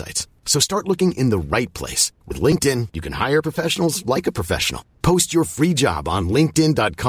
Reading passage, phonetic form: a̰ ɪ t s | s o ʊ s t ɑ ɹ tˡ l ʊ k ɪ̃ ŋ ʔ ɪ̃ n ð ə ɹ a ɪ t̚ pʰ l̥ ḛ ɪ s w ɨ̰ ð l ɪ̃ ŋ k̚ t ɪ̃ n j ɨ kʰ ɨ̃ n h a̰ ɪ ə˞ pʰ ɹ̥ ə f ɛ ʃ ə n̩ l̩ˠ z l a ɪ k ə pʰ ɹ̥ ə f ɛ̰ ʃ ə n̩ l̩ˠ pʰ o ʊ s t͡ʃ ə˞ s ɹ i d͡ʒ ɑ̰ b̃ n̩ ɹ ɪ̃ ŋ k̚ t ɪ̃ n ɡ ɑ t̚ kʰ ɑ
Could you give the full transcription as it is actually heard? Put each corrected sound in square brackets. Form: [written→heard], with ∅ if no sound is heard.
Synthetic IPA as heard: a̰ ɪ t s | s o ʊ s t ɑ ɹ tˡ l ʊ k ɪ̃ ŋ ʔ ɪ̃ n ð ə ɹ a ɪ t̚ pʰ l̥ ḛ ɪ s w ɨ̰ ð l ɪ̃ ŋ k̚ t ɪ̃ n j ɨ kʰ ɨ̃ n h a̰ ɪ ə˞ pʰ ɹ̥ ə f ɛ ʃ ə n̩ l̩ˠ z l a ɪ k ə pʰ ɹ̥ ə f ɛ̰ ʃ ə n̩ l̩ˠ pʰ o ʊ s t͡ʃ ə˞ [s→f] ɹ i d͡ʒ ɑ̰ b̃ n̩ [ɹ→l] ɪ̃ ŋ k̚ t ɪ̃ n [ɡ→d] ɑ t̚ kʰ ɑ